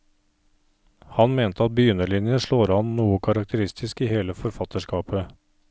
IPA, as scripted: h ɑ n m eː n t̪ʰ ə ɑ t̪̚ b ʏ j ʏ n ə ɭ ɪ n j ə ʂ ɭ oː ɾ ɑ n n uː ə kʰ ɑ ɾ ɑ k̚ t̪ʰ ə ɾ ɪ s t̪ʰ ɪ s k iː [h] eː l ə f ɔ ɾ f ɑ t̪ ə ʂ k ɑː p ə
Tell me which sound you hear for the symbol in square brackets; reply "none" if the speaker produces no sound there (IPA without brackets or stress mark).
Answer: h